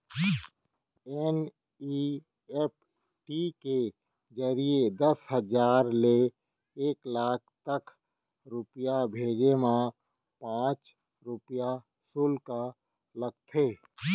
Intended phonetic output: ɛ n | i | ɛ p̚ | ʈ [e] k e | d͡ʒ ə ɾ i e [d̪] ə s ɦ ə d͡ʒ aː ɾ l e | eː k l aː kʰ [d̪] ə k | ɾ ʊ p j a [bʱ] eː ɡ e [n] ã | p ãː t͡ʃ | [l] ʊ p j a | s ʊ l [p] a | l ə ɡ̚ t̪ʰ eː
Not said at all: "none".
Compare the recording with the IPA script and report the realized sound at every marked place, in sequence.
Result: i, d̪, t̪, bʱ, m, ɾ, k

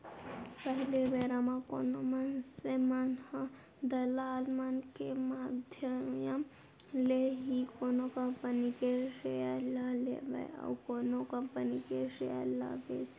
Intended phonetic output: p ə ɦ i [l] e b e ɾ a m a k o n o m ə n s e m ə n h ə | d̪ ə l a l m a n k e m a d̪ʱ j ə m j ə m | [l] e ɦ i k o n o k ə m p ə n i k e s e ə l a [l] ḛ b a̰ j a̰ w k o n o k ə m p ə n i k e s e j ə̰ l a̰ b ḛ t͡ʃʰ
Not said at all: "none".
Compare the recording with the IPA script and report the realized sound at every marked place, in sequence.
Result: l, l, l

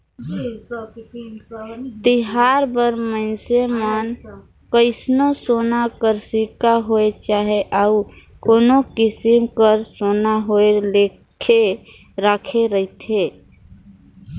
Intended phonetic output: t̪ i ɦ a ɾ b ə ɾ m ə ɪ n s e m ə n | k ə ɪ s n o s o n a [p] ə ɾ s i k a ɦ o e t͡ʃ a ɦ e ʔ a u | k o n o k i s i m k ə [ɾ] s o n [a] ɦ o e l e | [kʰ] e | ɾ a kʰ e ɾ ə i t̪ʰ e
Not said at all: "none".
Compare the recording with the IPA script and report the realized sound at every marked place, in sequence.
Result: k, ɾ, a, kʰ

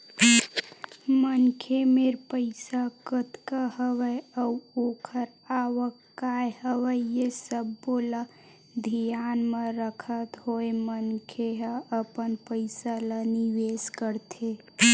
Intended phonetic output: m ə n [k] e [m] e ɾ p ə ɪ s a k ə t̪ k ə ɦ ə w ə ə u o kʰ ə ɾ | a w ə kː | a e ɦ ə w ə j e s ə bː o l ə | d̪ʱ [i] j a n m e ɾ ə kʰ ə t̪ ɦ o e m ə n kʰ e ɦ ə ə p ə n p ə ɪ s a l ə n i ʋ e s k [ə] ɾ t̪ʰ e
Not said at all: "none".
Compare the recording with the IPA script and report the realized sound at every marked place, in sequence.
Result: kʰ, m, i, ə

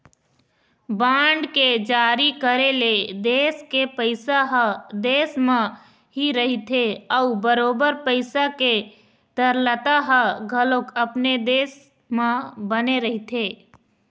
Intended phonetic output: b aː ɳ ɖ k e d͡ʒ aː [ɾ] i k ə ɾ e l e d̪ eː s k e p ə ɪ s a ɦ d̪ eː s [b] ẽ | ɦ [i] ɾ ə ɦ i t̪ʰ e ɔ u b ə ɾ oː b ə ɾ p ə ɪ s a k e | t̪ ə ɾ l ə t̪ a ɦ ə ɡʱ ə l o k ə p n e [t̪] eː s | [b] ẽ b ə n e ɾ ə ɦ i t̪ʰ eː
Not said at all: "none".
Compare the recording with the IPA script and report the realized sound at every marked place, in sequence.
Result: ɾ, m, i, d̪, m

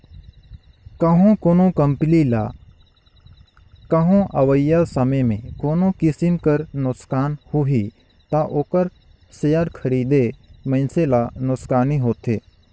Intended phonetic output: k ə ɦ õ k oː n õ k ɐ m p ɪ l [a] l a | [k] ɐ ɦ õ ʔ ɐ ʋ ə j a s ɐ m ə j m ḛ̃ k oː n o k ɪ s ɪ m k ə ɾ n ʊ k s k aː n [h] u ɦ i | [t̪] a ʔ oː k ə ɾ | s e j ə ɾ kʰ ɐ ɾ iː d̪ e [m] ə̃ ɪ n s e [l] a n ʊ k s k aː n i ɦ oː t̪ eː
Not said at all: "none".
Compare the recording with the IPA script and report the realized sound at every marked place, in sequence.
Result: i, k, h, t̪, m, l

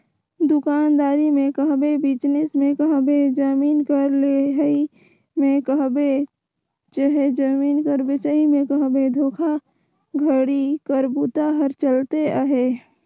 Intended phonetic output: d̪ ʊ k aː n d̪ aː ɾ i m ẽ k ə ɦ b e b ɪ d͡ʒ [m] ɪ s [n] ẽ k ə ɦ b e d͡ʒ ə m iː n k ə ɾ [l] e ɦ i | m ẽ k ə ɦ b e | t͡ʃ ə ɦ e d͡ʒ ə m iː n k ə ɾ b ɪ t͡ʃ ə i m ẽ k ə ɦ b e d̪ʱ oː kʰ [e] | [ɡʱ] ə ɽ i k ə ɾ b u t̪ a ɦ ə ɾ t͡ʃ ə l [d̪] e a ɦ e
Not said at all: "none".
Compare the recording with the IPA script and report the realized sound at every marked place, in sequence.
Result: n, m, l, a, ɡʱ, t̪

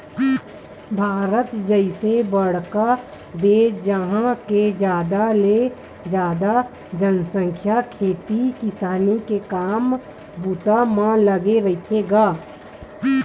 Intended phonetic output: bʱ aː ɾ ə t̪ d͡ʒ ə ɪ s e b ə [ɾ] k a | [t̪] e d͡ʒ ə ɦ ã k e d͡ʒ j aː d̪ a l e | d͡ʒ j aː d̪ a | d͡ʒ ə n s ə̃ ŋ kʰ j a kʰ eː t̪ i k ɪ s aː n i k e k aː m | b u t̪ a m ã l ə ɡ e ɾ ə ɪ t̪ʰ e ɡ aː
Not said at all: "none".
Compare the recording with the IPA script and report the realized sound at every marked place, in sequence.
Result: ɽ, d̪

